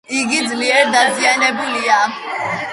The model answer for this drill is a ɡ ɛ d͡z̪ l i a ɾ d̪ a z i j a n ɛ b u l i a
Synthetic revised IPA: i ɡ i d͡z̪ l i ɛ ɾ d̪ a z i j a n ɛ b u l i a